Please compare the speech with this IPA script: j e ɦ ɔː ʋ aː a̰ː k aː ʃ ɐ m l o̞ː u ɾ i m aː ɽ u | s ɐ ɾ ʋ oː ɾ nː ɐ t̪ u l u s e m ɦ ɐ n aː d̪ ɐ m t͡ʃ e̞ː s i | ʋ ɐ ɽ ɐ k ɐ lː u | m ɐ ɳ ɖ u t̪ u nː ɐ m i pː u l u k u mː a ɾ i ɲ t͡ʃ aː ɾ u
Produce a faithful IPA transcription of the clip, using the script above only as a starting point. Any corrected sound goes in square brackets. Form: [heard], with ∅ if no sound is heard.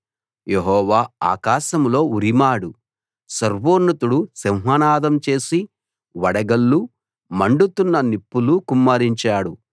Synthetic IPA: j e ɦ ɔː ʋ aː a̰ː k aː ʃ ɐ m l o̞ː u ɾ i m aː ɽ u | s ɐ ɾ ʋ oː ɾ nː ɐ t̪ u [ɽ] u s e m ɦ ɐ n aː d̪ ɐ m t͡ʃ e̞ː s i | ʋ ɐ ɽ ɐ [ɡ] ɐ lː u | m ɐ ɳ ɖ u t̪ u nː ɐ [n] i pː u l u k u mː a ɾ i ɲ t͡ʃ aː [ɽ] u

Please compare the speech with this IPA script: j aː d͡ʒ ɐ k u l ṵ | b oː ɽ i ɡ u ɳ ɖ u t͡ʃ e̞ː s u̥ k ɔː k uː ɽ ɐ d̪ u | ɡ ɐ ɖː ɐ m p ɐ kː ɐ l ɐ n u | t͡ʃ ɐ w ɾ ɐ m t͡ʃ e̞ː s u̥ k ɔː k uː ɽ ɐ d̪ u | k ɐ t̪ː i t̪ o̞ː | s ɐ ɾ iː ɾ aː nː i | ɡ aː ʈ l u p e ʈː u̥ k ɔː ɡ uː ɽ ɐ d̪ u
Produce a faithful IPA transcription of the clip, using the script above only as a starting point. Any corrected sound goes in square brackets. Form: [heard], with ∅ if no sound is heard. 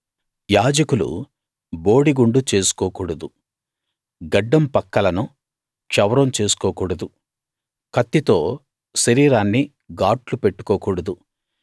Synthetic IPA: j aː d͡ʒ ɐ k u l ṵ | b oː ɽ i ɡ u ɳ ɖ u t͡ʃ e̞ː s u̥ k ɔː k uː ɽ ɐ d̪ u | ɡ ɐ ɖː ɐ m p ɐ kː ɐ l ɐ n u | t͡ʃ ɐ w ɾ ɐ m t͡ʃ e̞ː s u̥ k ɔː k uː ɽ ɐ d̪ u | k ɐ t̪ː i t̪ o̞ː | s ɐ ɾ iː ɾ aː nː i | ɡ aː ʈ l u p e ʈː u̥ k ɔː [k] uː ɽ ɐ d̪ u

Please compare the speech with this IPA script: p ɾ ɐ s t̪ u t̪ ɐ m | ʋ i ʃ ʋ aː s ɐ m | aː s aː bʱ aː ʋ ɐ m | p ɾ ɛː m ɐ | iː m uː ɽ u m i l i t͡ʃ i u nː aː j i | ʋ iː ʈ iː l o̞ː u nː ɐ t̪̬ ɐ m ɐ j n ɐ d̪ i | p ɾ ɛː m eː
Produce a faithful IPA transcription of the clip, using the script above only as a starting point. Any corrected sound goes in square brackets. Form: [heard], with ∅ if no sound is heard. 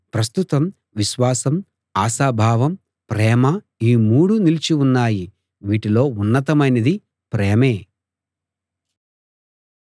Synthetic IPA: p ɾ ɐ s t̪ u t̪ ɐ m | ʋ i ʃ ʋ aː s ɐ m | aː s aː bʱ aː ʋ ɐ m | p ɾ ɛː m ɐ | iː m uː ɽ u [n] i l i t͡ʃ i u nː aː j i | ʋ iː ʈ [i] l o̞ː u nː ɐ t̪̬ ɐ m ɐ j n ɐ d̪ i | p ɾ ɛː m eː

